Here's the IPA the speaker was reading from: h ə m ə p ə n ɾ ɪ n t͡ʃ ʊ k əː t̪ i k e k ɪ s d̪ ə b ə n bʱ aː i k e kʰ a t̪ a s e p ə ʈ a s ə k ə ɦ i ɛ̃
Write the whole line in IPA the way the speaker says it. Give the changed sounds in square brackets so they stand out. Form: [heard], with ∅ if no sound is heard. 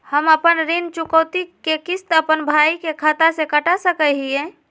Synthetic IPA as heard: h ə m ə p ə n ɾ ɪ n t͡ʃ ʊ k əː t̪ i k e k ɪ s [t̪] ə [p] ə n bʱ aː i k e kʰ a t̪ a s e [k] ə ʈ a s ə k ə ɦ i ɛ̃